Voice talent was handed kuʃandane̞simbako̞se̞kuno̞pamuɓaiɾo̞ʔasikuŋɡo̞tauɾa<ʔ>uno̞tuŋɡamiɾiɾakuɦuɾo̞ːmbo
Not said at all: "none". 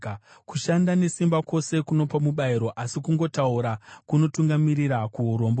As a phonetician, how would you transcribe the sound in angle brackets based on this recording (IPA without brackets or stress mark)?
k